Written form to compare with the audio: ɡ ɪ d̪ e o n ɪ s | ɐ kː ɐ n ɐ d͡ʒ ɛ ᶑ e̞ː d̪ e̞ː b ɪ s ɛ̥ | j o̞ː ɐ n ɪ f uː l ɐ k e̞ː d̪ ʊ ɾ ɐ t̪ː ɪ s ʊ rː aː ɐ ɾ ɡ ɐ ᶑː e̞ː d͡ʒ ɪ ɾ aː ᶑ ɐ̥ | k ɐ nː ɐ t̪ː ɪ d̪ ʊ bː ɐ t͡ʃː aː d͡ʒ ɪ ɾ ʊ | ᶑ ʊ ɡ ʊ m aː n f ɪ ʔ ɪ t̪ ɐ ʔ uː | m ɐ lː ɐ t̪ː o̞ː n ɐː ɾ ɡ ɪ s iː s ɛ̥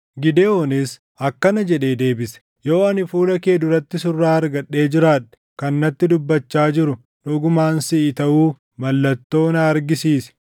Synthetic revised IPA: ɡ ɪ d̪ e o n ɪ s | ɐ kː ɐ n ɐ d͡ʒ ɛ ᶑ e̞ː d̪ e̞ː b ɪ s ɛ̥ | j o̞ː ɐ n ɪ f uː l ɐ k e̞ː d̪ ʊ ɾ ɐ t̪ː ɪ s ʊ rː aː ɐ ɾ ɡ ɐ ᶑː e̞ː d͡ʒ ɪ ɾ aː ᶑ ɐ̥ | k ɐ nː ɐ t̪ː ɪ d̪ ʊ bː ɐ t͡ʃː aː d͡ʒ ɪ ɾ ʊ | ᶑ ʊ ɡ ʊ m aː n s ɪ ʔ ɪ t̪ ɐ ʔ uː | m ɐ lː ɐ t̪ː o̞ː n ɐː ɾ ɡ ɪ s iː s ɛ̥